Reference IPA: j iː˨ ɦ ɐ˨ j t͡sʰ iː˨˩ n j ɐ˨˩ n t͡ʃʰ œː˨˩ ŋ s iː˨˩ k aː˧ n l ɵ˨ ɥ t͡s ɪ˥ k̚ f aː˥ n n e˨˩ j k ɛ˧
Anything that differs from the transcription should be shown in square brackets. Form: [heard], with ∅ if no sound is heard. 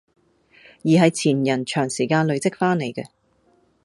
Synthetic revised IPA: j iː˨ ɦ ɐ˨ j t͡sʰ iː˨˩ n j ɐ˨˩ n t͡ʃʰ œː˨˩ ŋ s iː˨˩ k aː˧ n l ɵ˨ ɥ t͡s ɪ˥ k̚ f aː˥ n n e˨˩ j k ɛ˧